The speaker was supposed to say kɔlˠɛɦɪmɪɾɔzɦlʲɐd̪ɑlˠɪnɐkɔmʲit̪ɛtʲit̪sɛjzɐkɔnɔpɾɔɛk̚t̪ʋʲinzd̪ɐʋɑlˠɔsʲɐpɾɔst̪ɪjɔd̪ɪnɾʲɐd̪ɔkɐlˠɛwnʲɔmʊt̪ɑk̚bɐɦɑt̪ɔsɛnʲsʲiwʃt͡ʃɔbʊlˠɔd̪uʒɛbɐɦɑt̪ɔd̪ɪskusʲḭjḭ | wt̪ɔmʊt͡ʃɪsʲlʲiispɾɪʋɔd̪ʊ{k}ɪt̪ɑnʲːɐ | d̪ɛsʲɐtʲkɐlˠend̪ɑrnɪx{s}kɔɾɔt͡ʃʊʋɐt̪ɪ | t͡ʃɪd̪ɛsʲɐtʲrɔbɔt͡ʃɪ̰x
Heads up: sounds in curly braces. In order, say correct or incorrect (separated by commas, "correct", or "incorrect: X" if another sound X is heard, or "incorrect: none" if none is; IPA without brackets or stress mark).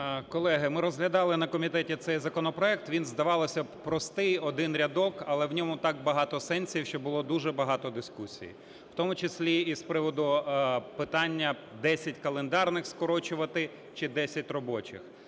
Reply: incorrect: p, correct